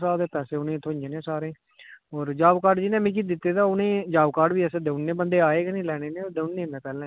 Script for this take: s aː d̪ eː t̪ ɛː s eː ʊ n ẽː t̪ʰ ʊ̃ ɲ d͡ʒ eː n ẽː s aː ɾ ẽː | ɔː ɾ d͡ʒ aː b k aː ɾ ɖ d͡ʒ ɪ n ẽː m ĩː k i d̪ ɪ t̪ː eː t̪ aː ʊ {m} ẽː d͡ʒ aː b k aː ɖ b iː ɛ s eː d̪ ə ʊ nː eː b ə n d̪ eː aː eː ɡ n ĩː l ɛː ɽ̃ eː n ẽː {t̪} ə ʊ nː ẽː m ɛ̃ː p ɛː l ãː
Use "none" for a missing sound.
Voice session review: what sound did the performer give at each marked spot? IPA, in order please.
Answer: n, d̪

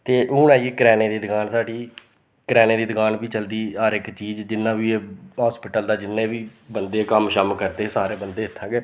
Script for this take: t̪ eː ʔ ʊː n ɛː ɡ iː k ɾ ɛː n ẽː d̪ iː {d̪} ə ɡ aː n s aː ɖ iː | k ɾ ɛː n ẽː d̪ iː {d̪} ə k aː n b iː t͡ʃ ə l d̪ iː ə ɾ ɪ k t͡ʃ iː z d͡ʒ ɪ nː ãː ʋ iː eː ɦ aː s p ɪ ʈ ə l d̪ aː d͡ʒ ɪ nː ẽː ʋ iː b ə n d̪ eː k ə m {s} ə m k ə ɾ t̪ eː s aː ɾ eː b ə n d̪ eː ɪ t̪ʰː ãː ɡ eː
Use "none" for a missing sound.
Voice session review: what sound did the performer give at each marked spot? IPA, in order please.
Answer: d̪, d̪, ʃ

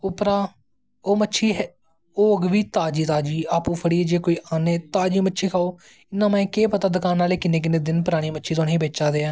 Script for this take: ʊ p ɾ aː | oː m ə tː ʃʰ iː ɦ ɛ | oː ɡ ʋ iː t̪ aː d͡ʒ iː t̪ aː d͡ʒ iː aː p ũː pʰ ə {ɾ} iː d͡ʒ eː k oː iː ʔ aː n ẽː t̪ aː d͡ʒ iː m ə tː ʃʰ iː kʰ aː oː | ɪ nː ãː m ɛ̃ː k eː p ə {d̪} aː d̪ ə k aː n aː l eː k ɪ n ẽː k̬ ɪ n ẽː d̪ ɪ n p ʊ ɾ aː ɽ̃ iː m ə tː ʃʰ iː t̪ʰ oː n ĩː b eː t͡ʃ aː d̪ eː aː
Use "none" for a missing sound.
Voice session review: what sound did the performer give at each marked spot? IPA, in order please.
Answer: ɽ, t̪

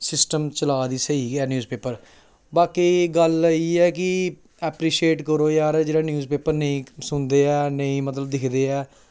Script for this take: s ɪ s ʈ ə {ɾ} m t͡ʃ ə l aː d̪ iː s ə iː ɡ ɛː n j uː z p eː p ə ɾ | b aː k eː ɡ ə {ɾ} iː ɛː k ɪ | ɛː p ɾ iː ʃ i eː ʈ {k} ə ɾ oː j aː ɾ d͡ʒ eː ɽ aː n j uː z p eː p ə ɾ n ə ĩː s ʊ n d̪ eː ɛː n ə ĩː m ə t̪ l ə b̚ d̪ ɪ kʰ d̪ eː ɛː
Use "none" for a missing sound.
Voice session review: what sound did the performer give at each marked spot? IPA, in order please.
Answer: none, l, k

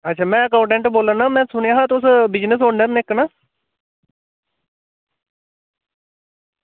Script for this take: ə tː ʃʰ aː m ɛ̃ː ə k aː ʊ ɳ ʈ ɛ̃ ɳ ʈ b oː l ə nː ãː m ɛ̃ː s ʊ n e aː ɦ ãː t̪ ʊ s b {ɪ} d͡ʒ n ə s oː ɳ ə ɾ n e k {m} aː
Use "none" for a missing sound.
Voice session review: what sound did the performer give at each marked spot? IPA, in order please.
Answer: ɪ, n

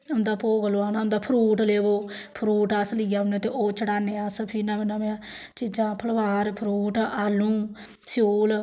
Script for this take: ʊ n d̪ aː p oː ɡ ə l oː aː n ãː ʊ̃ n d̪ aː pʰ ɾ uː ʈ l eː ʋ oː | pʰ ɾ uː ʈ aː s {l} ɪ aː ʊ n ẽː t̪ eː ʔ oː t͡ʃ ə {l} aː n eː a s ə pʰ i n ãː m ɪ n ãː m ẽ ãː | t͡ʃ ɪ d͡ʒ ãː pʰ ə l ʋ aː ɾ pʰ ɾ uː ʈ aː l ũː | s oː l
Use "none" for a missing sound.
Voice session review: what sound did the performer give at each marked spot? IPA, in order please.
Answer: l, ɽ

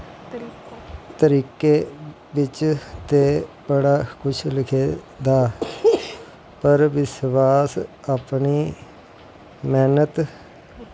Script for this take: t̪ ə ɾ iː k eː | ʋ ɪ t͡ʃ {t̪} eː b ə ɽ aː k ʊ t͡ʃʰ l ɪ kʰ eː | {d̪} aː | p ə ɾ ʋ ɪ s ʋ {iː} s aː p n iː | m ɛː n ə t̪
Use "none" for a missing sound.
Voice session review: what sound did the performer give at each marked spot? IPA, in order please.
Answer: t̪, d̪, aː

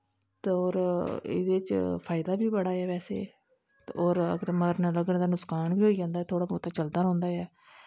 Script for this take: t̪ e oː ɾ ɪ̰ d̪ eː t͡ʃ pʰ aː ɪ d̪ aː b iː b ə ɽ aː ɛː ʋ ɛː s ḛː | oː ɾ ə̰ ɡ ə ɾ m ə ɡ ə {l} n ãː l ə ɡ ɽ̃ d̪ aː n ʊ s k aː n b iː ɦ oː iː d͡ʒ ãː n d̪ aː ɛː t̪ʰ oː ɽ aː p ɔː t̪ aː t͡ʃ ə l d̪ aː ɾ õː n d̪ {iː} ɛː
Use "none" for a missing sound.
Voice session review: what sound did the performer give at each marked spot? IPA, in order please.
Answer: ɾ, aː

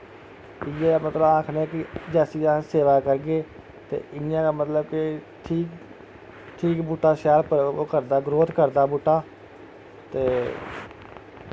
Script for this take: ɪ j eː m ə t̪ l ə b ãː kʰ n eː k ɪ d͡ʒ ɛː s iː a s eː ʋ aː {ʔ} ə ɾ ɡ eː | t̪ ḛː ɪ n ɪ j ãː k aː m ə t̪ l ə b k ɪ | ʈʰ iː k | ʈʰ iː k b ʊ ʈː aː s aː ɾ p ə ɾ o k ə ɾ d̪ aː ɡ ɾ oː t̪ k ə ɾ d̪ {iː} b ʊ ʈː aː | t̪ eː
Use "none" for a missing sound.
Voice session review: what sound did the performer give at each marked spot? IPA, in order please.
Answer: k, aː

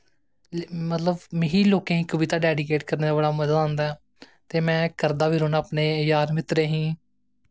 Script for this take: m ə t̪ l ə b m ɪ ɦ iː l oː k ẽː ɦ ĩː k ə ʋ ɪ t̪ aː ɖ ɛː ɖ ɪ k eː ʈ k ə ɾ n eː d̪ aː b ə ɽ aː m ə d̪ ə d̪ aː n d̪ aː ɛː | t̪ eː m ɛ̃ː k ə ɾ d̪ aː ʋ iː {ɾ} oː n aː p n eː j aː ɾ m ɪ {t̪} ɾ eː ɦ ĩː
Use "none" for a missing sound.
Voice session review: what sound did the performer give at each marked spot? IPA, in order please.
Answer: ɾ, t̪

